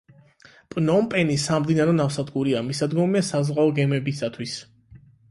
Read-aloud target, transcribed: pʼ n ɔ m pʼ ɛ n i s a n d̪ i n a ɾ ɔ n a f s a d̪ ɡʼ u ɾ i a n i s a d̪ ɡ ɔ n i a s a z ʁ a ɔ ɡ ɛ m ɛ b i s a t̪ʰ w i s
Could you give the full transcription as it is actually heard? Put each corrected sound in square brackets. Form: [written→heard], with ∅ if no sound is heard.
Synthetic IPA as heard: pʼ n ɔ m pʼ ɛ n i s a [n→m] d̪ i n a ɾ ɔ n a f s a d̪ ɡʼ u ɾ i a [n→m] i s a d̪ ɡ ɔ [n→m] i a s a z ʁ a ɔ ɡ ɛ m ɛ b i s a t̪ʰ w i s